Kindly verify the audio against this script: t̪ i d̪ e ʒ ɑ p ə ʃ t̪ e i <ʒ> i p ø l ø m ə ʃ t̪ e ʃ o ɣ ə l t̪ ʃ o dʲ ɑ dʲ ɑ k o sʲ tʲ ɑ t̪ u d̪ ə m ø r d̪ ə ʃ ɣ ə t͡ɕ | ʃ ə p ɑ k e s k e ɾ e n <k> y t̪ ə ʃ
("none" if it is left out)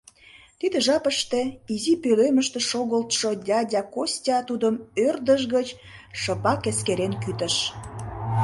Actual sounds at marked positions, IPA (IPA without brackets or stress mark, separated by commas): z, k